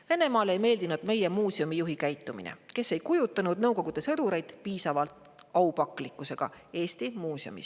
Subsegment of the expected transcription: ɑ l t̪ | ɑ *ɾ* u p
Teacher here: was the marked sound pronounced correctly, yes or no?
no